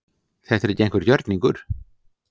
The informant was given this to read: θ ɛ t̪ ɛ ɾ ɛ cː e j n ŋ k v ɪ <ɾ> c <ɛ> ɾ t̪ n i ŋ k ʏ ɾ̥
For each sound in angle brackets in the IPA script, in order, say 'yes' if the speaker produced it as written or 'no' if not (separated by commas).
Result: yes, no